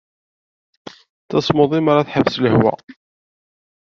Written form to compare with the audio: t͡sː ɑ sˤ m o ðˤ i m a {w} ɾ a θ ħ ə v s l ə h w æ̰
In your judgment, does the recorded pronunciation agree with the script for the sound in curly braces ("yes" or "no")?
no